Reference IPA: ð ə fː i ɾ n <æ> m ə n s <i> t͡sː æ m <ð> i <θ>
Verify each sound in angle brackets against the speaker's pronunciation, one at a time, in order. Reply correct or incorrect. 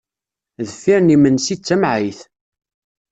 incorrect: i, correct, incorrect: ʕ, correct

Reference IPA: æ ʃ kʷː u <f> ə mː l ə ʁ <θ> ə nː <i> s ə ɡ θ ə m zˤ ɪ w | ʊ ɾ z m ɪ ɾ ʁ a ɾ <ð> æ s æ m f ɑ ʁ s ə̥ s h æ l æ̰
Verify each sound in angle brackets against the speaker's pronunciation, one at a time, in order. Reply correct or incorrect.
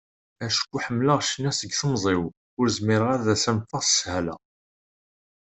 incorrect: ħ, incorrect: ʃ, incorrect: æ, correct

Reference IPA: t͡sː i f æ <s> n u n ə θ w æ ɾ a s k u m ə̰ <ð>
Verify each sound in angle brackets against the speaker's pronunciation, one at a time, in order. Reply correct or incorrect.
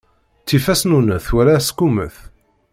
correct, incorrect: θ

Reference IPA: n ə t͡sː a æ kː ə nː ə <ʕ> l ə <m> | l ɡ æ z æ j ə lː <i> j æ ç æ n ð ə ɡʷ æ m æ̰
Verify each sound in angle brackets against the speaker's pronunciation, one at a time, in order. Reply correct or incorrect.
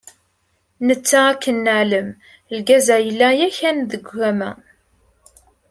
correct, correct, incorrect: æ

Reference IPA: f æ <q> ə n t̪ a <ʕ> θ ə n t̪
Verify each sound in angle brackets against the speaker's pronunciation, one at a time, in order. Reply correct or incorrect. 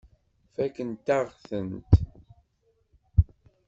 incorrect: k, incorrect: ʁ

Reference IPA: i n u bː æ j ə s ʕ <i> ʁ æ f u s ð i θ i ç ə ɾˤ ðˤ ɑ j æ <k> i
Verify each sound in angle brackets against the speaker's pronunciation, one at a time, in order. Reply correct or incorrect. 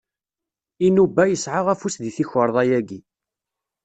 incorrect: a, incorrect: ɡ

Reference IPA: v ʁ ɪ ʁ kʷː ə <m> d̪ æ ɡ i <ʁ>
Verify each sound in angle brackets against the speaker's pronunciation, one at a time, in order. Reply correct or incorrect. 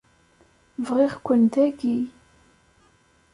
incorrect: n, incorrect: none

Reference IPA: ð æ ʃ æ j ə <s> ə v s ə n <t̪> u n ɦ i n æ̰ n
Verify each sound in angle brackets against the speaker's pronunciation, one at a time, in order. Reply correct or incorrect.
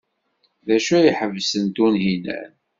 incorrect: ħ, correct

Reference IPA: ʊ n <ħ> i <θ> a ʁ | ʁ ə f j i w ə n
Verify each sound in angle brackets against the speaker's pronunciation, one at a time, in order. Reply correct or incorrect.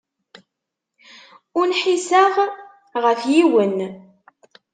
correct, incorrect: s

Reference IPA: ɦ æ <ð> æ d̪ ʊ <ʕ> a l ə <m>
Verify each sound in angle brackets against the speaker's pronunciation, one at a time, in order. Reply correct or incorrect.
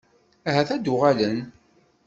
incorrect: θ, incorrect: ʁ, incorrect: n

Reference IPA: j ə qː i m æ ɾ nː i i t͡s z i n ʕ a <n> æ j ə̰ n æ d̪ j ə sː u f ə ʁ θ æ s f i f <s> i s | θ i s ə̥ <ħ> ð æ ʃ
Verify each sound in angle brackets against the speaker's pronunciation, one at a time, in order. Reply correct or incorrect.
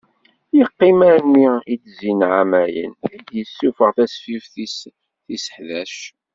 incorrect: m, incorrect: θ, correct

